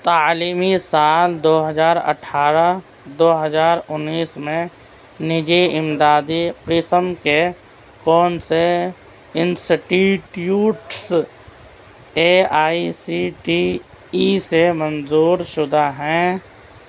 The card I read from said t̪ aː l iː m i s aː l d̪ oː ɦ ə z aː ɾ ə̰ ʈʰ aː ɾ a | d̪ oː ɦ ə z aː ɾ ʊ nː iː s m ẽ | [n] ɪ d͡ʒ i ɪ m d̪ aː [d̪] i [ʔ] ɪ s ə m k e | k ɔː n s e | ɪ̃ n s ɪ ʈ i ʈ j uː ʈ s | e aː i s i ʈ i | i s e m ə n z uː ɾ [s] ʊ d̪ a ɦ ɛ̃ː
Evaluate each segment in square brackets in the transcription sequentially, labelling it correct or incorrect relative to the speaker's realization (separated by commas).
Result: correct, correct, incorrect, incorrect